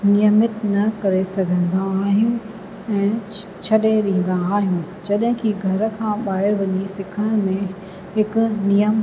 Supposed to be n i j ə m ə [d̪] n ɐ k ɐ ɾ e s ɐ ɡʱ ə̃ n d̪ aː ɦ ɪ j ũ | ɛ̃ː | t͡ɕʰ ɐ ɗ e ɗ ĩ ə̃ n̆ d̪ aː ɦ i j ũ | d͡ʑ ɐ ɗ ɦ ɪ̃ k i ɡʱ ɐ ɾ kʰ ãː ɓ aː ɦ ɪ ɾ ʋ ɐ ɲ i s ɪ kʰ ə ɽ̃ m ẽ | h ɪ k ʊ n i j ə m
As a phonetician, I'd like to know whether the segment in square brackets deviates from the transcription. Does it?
yes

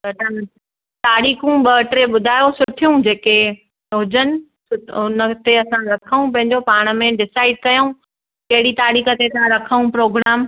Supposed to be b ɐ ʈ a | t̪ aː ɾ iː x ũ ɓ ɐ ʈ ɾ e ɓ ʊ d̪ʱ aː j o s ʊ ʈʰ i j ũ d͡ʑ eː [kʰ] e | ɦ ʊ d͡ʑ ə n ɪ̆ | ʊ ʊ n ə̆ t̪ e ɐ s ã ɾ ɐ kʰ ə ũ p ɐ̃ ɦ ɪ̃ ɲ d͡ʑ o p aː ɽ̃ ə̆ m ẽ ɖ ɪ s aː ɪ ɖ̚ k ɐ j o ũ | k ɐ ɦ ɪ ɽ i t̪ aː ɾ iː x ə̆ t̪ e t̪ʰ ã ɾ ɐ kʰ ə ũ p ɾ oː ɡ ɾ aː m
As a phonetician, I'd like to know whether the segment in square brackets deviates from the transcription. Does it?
yes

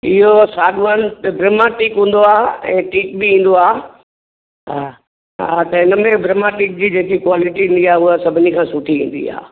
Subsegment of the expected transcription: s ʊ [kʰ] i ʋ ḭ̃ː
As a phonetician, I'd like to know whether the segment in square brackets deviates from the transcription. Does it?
yes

